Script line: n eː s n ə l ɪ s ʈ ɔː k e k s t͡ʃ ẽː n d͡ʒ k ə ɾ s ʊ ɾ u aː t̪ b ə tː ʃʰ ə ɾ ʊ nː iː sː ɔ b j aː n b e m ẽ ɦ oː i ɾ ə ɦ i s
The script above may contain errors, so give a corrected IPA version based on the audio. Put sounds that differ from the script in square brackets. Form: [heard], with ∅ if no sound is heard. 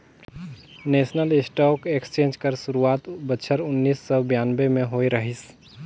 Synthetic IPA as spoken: n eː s n ə l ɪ s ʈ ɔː k e k s t͡ʃ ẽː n d͡ʒ k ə ɾ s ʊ ɾ u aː t̪ b ə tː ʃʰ ə ɾ ʊ nː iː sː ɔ b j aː n b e m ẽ ɦ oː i ɾ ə ɦ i s